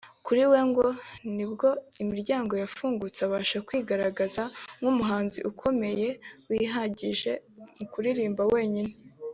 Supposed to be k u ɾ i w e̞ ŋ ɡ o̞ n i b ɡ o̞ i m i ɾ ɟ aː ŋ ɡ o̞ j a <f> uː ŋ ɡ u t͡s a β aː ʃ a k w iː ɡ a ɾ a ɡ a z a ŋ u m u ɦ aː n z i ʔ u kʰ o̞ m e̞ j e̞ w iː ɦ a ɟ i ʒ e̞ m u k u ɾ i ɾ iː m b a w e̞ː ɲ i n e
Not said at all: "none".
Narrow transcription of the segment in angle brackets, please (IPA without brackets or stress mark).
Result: f